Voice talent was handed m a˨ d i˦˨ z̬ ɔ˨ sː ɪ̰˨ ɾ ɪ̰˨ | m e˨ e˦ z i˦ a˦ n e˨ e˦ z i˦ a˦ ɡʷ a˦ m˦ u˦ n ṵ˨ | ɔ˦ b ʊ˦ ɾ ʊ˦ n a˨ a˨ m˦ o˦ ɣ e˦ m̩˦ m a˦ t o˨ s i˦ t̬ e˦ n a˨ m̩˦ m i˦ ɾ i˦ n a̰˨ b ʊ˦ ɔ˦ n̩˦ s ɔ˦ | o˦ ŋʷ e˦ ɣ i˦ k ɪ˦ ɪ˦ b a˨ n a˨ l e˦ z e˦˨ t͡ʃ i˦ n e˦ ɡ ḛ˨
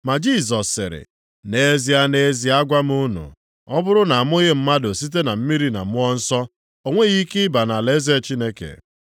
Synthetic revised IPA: m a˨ d͡ʒ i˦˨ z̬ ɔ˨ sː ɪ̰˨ ɾ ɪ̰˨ | n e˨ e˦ z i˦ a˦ n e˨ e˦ z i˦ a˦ ɡʷ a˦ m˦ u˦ n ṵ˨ | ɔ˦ b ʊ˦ ɾ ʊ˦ n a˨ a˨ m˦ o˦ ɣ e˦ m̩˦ m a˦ d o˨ s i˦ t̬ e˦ n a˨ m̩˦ m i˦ ɾ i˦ n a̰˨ m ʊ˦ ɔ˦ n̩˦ s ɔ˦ | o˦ ŋʷ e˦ ɣ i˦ k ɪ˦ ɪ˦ b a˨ n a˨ l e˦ z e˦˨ t͡ʃ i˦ n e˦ k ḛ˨